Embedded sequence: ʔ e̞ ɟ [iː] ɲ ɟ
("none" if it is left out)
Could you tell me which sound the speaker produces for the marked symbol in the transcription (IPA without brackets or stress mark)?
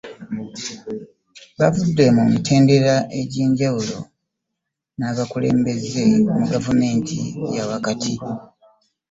iː